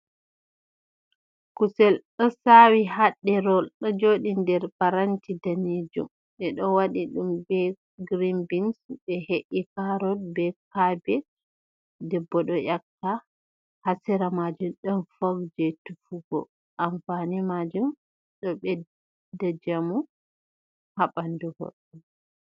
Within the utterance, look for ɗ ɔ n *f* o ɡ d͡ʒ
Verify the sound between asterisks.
correct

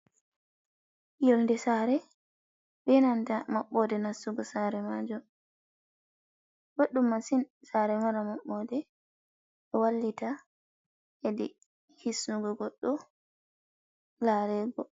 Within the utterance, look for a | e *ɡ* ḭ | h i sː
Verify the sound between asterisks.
incorrect: d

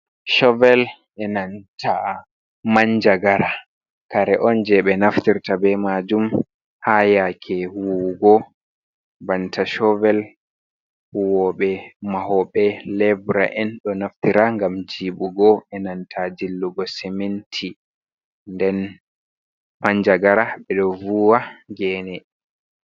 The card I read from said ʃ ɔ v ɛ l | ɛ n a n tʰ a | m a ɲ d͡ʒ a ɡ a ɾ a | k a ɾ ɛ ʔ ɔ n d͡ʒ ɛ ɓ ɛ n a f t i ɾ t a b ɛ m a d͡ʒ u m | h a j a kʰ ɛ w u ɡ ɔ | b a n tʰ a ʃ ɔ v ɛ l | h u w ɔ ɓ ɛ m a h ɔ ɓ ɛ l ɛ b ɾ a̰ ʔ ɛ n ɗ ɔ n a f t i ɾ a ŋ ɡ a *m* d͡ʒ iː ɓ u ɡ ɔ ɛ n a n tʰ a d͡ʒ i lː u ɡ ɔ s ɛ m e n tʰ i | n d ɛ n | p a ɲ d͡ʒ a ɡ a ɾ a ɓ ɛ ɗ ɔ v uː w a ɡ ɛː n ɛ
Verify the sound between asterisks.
correct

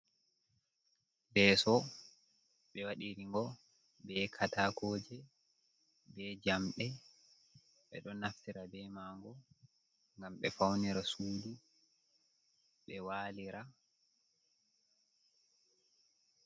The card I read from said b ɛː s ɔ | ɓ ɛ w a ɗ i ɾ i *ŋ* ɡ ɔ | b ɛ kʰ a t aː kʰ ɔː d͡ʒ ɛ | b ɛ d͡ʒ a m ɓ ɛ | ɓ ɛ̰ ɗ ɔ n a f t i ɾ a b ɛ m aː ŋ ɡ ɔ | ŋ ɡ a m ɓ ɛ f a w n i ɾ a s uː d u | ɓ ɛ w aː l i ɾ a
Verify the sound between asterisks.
correct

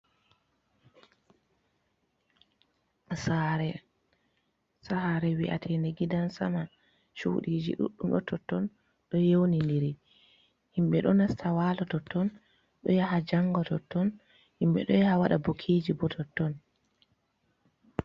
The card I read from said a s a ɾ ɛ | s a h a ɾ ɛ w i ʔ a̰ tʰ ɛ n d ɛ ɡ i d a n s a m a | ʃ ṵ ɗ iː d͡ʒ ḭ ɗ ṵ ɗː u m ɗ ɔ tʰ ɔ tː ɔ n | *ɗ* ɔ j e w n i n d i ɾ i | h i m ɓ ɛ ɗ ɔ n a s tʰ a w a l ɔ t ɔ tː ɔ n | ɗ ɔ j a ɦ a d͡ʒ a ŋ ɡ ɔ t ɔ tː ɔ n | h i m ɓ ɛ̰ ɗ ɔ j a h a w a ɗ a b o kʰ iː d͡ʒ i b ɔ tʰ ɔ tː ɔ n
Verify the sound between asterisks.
correct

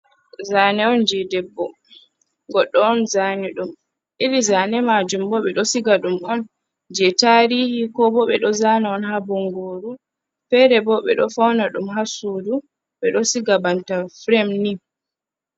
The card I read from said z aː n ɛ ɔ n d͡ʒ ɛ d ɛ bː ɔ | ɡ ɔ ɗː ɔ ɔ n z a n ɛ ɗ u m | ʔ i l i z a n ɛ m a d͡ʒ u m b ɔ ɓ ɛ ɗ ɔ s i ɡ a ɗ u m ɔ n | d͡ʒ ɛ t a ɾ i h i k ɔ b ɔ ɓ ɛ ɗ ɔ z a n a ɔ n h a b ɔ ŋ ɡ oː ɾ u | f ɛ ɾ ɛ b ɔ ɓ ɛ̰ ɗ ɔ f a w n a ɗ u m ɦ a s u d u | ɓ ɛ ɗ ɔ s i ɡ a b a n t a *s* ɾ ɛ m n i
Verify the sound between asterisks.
incorrect: f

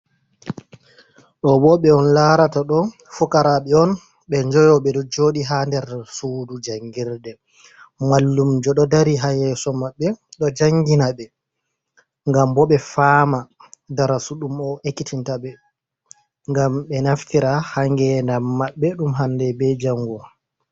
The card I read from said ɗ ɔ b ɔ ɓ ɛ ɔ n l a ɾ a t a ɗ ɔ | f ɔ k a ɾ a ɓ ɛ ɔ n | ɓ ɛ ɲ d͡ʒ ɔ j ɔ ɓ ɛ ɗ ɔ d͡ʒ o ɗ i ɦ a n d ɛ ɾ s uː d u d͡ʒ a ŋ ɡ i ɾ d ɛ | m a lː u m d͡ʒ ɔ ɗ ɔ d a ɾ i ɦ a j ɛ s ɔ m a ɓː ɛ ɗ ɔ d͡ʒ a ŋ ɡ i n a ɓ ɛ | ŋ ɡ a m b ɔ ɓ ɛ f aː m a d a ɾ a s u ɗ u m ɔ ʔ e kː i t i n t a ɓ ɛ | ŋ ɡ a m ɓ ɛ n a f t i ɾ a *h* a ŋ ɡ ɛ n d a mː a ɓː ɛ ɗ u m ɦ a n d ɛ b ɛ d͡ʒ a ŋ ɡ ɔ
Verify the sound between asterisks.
correct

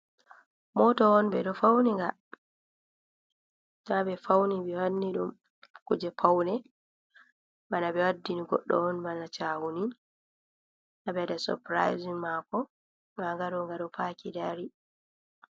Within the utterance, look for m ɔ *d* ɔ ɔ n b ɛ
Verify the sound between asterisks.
incorrect: t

